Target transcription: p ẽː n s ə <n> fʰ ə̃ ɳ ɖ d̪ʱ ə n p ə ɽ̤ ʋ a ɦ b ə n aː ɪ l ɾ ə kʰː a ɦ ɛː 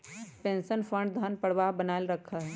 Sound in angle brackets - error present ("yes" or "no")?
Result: no